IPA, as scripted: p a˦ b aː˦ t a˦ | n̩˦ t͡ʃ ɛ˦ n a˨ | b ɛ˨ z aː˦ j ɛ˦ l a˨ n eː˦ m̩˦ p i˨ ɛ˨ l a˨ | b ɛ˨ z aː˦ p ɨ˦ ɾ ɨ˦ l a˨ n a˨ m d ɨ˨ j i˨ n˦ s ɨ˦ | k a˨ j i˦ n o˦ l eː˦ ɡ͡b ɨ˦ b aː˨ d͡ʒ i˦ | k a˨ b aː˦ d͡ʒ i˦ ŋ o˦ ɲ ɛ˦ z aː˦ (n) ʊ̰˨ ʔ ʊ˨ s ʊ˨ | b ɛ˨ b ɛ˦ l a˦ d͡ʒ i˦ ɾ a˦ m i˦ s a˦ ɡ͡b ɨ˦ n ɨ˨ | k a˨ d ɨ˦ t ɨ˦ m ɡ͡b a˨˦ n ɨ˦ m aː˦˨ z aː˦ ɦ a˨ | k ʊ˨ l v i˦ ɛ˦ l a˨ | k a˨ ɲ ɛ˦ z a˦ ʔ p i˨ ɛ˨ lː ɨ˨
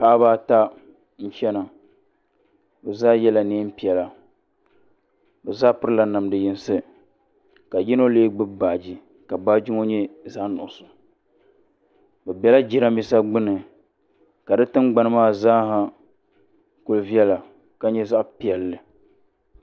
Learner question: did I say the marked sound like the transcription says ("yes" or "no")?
yes